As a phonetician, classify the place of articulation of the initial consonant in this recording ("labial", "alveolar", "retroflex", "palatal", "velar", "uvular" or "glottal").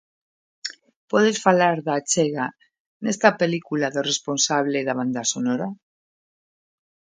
labial